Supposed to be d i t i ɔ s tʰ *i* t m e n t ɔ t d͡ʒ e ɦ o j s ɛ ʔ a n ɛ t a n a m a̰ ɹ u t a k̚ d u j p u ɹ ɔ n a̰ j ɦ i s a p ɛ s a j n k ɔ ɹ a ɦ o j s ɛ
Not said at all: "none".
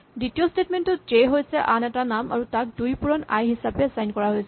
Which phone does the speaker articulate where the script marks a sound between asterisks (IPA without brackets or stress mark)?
e